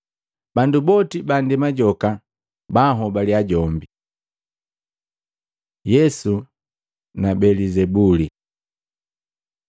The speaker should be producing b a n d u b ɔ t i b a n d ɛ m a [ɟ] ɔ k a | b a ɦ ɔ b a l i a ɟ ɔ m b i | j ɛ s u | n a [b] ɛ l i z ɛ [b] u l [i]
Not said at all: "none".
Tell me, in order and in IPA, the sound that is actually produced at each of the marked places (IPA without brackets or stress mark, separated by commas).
ɟ, b, b, i